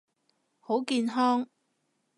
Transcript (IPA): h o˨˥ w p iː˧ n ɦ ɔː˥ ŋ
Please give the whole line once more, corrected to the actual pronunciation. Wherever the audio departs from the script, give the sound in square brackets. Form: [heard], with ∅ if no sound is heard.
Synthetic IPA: h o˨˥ w [k] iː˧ n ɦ ɔː˥ ŋ